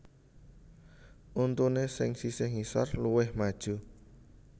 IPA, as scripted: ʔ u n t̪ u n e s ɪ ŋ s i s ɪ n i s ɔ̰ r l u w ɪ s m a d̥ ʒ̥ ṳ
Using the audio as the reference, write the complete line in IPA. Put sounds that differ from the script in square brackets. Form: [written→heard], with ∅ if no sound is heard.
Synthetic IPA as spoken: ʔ u n t̪ u n e s ɪ ŋ s i s ɪ [n→ŋ] i s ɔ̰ r l u w ɪ [s→h] m a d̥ ʒ̥ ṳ

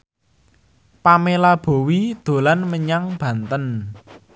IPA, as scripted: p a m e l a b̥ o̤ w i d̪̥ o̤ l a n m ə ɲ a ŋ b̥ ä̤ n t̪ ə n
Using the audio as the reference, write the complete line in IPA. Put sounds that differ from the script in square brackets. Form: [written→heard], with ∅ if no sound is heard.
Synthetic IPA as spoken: p a m e l a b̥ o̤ w i d̪̥ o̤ l a n m ə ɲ a ŋ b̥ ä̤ n t̪ ə n

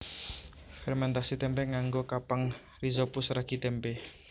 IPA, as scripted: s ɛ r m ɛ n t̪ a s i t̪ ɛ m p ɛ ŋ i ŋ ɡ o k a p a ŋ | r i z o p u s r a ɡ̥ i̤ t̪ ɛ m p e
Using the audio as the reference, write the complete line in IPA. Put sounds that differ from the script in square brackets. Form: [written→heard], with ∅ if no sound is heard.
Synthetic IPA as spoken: [s→f] ɛ r m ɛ n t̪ a s i t̪ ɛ m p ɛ ŋ [i→a] ŋ ɡ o k a p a ŋ | r i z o p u s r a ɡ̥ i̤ t̪ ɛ m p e

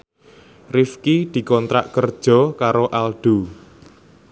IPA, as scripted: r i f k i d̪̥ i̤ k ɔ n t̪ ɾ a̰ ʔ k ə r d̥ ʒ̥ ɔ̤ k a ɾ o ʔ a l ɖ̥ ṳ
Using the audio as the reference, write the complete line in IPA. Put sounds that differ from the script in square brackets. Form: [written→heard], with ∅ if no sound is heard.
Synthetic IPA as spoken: r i f k i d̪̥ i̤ k ɔ n t̪ ɾ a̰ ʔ k ə r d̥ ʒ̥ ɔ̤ k a ɾ o ʔ a l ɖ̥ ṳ

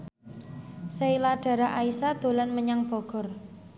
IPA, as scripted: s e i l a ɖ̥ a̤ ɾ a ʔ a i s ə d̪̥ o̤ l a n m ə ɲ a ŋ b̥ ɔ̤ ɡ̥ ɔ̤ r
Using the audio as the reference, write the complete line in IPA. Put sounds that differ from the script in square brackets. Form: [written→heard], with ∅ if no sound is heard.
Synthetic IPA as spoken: s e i l a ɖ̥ a̤ ɾ a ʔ a i s [ə→a] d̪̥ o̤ l a n m ə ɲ a ŋ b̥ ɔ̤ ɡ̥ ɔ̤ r

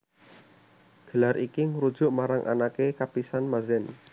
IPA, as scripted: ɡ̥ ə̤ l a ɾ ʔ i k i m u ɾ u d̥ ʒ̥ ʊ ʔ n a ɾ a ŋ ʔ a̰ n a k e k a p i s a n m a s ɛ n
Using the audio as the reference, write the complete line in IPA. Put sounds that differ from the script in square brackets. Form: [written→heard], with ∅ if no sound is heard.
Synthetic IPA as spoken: ɡ̥ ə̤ l a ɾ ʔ i k i [m→ŋ] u ɾ u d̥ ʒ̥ ʊ ʔ [n→m] a ɾ a ŋ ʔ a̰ n a k e k a p i s a n m a [s→z] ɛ n

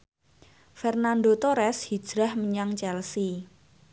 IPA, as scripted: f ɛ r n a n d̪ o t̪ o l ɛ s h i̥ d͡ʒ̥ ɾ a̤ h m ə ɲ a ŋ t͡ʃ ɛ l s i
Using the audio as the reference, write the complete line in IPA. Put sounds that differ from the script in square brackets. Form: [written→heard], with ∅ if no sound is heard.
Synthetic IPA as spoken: f ɛ r n a n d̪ o t̪ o [l→ɾ] ɛ s h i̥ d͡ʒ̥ ɾ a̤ h m ə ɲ a ŋ t͡ʃ ɛ l s i

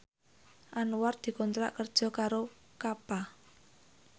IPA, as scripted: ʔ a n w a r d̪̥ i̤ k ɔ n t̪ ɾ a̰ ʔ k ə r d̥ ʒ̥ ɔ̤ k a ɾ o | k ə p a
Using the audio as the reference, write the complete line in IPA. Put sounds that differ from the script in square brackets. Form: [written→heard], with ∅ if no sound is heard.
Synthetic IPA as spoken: ʔ a n w a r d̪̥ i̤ k ɔ n t̪ ɾ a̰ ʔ k ə r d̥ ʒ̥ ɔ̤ k a ɾ o | k [ə→a] p a

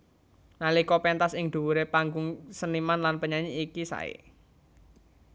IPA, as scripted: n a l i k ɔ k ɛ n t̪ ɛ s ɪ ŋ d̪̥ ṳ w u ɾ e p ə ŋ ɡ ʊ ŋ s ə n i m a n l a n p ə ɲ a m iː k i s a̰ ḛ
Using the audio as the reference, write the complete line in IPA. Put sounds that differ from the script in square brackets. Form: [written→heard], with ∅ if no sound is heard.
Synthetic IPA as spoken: n a l i k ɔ [k→p] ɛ n t̪ [ɛ→a] s ɪ ŋ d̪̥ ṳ w u ɾ e p [ə→a] ŋ ɡ ʊ ŋ s ə n i m a n l a n p ə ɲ a [m→ɲ] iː k i s a̰ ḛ

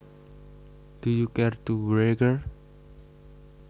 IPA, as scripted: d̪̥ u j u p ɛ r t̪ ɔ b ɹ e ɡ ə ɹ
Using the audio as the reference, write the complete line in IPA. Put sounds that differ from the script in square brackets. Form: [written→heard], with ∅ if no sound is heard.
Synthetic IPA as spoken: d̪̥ u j u [p→k] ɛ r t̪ [ɔ→u] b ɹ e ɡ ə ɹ

